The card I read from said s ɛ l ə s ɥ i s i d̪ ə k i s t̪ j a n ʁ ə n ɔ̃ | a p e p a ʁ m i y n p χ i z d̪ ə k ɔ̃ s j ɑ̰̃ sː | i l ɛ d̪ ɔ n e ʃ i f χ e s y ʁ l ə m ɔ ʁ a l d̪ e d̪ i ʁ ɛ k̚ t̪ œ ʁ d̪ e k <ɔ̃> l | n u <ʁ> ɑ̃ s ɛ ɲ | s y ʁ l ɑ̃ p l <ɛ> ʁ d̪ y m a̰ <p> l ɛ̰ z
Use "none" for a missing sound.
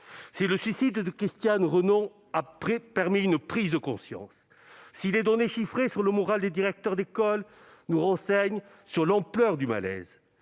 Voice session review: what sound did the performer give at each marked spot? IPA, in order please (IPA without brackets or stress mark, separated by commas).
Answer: ɔ, ʁ, œ, none